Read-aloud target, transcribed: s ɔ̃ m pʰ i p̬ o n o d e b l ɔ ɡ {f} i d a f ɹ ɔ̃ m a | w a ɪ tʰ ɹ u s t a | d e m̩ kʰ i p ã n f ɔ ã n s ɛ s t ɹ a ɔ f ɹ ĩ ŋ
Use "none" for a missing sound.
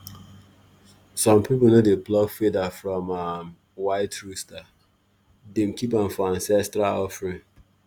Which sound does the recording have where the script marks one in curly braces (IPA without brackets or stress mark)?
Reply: f